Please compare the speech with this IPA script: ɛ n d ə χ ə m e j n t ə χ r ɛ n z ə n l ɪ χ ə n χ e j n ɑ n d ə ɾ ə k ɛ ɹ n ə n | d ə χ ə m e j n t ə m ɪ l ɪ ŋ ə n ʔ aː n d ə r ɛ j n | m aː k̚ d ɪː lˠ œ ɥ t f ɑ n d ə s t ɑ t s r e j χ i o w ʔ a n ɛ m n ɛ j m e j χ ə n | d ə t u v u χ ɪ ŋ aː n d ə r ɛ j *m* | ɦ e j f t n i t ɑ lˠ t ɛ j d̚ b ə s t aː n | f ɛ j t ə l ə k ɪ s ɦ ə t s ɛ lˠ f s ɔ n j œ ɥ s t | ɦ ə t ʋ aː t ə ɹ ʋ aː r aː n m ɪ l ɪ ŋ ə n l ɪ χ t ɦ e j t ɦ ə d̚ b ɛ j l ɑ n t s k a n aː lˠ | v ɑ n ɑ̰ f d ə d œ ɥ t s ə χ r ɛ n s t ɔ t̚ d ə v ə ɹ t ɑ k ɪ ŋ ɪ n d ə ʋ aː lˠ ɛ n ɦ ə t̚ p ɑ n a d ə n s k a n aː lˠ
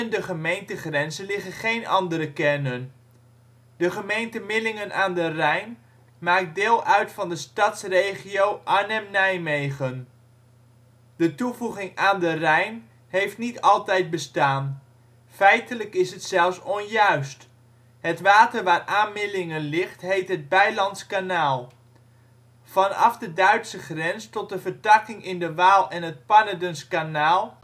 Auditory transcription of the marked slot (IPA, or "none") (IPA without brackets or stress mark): n